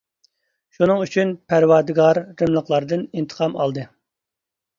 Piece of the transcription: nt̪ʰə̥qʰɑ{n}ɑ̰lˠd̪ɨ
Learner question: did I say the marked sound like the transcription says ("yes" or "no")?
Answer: no